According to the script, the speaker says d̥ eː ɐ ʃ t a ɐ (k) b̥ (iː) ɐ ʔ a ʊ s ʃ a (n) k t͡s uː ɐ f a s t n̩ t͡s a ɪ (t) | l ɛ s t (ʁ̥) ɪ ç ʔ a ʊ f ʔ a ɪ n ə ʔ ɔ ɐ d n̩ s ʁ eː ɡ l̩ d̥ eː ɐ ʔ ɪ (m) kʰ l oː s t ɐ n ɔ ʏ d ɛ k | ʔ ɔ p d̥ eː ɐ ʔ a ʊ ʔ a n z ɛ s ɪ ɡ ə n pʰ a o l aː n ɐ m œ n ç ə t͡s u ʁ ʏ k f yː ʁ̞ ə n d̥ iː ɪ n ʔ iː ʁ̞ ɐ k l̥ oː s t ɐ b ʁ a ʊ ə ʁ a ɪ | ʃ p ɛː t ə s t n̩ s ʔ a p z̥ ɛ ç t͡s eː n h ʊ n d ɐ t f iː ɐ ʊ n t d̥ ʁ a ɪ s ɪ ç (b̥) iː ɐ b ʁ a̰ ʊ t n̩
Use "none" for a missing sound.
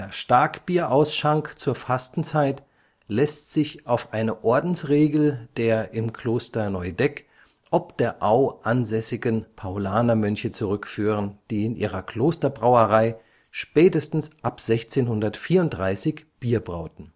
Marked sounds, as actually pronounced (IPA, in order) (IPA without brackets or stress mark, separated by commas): k, iː, ŋ, t, z̥, m, b̥